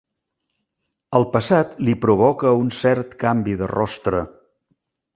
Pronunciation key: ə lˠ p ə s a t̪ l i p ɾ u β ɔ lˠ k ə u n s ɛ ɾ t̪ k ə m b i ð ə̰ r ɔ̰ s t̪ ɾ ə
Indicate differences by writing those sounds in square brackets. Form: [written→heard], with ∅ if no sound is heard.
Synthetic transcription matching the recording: ə lˠ p ə s a t̪ l i p ɾ u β ɔ [lˠ→∅] k ə u n s ɛ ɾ t̪ k [ə→a] m b i ð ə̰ r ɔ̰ s t̪ ɾ ə